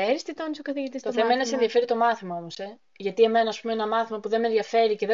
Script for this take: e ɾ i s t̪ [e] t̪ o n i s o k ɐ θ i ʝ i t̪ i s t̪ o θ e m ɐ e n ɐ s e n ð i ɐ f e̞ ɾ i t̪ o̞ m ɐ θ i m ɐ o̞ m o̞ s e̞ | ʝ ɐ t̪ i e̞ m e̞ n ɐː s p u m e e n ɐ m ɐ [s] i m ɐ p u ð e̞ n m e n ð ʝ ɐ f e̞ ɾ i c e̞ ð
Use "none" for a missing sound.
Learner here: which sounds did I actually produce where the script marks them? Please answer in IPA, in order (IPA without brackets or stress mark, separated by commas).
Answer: i, θ